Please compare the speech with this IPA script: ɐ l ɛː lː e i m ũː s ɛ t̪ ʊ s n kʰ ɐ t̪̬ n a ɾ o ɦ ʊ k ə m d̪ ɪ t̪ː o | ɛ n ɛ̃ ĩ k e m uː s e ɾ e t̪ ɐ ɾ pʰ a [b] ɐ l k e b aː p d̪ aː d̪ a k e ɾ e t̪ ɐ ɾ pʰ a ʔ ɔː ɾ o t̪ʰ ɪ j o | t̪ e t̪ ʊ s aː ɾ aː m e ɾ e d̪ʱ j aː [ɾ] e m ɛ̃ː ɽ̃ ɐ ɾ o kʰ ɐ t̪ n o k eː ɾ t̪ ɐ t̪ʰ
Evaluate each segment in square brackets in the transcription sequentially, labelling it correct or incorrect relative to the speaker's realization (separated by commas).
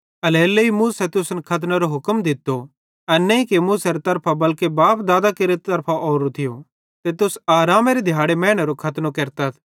correct, incorrect